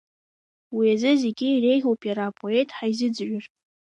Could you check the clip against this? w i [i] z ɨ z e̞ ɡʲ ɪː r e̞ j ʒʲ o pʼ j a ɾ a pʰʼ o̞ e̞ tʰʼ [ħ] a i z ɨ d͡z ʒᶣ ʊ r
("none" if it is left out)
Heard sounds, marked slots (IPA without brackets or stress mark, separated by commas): a, ħ